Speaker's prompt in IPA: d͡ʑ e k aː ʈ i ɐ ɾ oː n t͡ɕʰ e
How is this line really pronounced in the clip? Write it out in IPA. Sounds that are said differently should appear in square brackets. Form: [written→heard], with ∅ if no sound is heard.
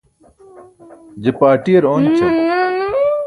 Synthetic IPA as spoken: d͡ʑ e [k→p] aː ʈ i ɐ ɾ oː n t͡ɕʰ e